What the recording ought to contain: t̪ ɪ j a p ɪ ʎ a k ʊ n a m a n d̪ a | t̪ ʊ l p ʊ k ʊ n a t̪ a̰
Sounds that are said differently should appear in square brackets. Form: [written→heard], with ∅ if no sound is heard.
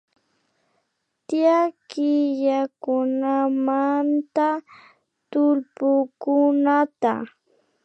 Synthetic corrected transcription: t̪ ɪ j a [p→k] ɪ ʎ a k ʊ n a m a n [d̪→t̪] a | t̪ ʊ l p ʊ k ʊ n a t̪ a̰

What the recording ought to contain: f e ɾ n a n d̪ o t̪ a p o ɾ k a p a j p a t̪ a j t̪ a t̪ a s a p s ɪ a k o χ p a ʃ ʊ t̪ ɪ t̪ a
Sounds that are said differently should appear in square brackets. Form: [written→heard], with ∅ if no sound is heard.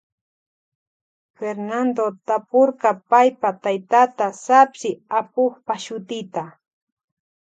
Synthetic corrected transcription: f e ɾ n a n d̪ o t̪ a p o ɾ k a p a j p a t̪ a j t̪ a t̪ a s a p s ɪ a [k→p] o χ p a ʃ ʊ t̪ ɪ t̪ a

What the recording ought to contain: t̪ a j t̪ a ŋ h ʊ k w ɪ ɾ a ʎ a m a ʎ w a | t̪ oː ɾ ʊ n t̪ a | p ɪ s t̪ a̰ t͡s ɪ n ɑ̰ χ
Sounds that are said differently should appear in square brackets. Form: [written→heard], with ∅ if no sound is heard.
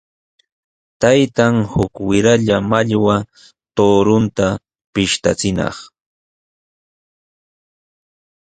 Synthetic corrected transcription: t̪ a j t̪ a ŋ h ʊ k w ɪ ɾ a ʎ a m a ʎ w a | t̪ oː ɾ ʊ n t̪ a | p ɪ [s→ʃ] t̪ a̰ t͡s ɪ n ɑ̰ χ

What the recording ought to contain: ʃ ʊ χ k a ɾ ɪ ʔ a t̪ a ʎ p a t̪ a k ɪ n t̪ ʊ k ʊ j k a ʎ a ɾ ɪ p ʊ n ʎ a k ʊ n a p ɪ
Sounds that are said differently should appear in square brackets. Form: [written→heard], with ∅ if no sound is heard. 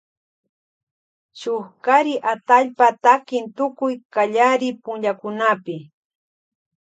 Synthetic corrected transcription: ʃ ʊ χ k a ɾ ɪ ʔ a t̪ a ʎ p a t̪ a k ɪ n t̪ ʊ k ʊ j k a ʎ a ɾ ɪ p ʊ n ʎ a k ʊ n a p ɪ

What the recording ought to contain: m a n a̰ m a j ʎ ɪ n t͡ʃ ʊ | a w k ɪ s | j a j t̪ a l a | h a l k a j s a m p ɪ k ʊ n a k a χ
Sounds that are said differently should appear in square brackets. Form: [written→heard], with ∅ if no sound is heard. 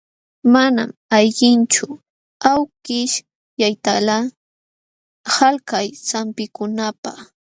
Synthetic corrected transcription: m a n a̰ m a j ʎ ɪ n t͡ʃ ʊ | a w k ɪ [s→ʃ] | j a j t̪ a l a | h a l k a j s a m p ɪ k ʊ n a [k→p] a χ

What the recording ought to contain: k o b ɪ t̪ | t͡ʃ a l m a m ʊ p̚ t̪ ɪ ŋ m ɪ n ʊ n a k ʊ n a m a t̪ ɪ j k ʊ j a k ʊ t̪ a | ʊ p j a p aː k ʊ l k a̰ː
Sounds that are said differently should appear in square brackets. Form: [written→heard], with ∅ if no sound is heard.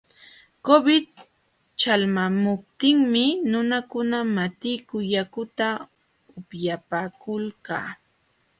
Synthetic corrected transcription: k o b ɪ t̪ | t͡ʃ a l m a m ʊ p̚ t̪ ɪ ŋ m ɪ n ʊ n a k ʊ n a m a t̪ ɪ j k ʊ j a k ʊ t̪ a | ʊ p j a p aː k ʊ l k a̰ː

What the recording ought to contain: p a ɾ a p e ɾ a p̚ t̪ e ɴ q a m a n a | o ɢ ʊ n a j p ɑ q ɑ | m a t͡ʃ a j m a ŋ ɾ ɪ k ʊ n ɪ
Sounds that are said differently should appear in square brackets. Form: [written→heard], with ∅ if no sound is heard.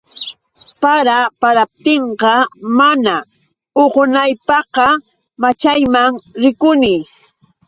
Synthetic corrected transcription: p a ɾ a p [e→a] ɾ a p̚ t̪ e ɴ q [a→ɑ] m a n a | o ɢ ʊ n a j p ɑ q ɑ | m a t͡ʃ a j m a ŋ ɾ ɪ k ʊ n ɪ

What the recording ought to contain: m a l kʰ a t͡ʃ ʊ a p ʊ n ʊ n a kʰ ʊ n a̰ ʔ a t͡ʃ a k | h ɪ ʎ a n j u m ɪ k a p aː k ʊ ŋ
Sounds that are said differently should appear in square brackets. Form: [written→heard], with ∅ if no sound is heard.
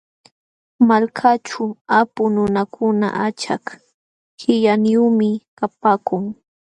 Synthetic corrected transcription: m a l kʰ a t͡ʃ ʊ a p ʊ n ʊ n a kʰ ʊ n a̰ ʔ a t͡ʃ a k | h ɪ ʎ a n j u m ɪ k a p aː k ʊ ŋ

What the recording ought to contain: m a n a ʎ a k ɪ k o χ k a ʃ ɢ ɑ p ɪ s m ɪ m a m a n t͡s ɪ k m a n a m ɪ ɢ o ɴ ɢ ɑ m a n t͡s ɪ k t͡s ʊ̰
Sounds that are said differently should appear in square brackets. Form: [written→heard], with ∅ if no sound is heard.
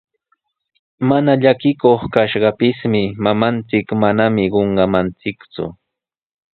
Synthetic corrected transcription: m a n a ʎ a k ɪ k o χ k a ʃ ɢ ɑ p ɪ s m ɪ m a m a n t͡s ɪ k m a n a m ɪ ɢ o ɴ ɢ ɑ m a n t͡s ɪ k t͡s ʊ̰

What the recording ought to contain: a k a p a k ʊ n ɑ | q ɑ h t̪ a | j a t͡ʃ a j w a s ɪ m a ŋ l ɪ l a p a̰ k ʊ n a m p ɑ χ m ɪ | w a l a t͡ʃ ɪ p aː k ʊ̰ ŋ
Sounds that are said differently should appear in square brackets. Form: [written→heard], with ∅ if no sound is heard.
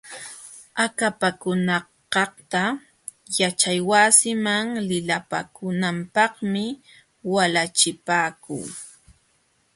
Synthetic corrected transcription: a k a p a k ʊ n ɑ | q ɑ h t̪ a | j a t͡ʃ a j w a s ɪ m a ŋ l ɪ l a p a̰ k ʊ n a m p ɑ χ m ɪ | w a l a t͡ʃ ɪ p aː k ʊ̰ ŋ

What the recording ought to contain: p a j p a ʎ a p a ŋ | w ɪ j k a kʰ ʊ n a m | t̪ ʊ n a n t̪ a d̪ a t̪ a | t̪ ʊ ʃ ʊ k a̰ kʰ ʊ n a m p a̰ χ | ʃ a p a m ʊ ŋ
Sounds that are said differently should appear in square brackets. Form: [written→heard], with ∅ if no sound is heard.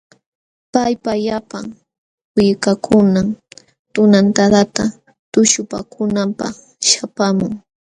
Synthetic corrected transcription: p a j p a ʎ a p a ŋ | w ɪ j k a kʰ ʊ n a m | t̪ ʊ n a n t̪ a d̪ a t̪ a | t̪ ʊ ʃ ʊ [k→p] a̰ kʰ ʊ n a m p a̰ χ | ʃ a p a m ʊ ŋ

